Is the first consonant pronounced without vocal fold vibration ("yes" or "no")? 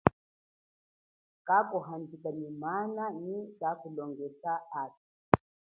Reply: yes